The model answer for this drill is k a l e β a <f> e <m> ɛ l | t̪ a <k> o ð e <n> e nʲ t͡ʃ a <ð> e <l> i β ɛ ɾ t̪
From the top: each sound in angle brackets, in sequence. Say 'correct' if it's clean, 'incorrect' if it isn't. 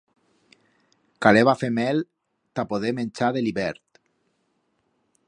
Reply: correct, correct, incorrect: p, incorrect: m, correct, correct

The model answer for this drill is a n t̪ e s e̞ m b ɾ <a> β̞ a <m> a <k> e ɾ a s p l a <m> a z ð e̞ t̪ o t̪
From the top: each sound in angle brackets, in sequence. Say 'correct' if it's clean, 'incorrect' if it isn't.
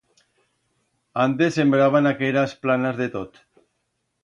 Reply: correct, incorrect: n, correct, incorrect: n

